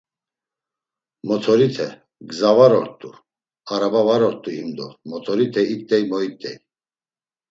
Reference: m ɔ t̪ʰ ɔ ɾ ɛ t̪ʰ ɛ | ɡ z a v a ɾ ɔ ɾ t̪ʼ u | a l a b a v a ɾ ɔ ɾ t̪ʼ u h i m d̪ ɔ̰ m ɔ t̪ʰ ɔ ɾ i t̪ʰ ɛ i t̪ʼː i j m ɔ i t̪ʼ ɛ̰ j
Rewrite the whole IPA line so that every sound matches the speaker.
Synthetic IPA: m ɔ t̪ʰ ɔ ɾ i t̪ʰ ɛ | ɡ z a v a ɾ ɔ ɾ t̪ʼ u | a ɾ a b a v a ɾ ɔ ɾ t̪ʼ u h i m d̪ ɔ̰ m ɔ t̪ʰ ɔ ɾ i t̪ʰ ɛ i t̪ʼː ɛ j m ɔ i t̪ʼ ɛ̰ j